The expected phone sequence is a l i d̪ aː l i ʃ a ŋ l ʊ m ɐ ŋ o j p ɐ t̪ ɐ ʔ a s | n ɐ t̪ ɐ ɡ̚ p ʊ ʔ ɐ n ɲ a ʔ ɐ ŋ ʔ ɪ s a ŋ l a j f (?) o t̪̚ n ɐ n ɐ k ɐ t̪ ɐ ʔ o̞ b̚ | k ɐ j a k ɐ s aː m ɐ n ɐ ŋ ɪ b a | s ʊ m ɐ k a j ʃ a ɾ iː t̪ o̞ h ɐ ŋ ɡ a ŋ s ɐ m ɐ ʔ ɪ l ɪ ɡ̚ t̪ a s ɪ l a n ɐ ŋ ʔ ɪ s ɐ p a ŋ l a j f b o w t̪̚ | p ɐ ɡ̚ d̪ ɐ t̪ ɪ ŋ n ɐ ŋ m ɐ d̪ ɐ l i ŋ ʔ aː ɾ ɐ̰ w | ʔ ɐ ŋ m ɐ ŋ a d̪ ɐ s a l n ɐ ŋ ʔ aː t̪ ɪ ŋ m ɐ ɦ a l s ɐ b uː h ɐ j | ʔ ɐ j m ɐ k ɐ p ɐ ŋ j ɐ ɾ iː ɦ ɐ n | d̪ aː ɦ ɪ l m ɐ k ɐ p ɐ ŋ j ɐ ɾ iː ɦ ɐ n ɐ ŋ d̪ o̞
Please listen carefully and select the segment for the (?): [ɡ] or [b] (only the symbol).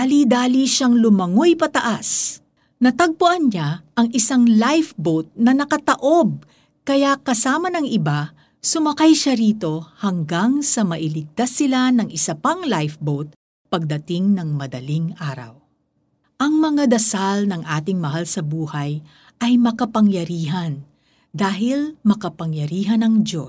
b